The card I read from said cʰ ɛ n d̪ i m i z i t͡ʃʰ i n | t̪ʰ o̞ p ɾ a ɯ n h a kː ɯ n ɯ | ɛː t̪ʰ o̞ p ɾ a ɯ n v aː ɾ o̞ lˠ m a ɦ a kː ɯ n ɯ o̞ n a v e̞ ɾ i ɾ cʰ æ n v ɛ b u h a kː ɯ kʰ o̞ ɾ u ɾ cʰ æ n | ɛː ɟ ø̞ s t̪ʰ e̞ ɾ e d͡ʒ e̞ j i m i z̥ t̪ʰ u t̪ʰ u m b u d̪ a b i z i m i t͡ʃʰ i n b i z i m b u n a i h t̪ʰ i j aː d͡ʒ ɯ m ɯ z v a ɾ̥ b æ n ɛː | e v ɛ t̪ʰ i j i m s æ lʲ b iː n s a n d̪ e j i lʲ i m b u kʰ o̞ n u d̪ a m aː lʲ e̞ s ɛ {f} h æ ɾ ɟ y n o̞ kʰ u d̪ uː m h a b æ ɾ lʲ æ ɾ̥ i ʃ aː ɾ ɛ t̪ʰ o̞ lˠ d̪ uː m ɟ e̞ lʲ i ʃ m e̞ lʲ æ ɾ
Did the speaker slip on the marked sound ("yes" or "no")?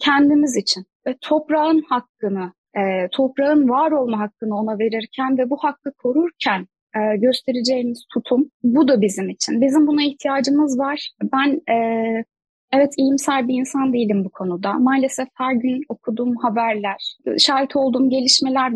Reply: no